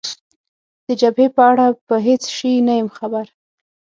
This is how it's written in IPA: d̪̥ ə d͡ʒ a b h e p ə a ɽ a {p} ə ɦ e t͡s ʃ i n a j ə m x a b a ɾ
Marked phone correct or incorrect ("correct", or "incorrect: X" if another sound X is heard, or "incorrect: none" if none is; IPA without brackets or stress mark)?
correct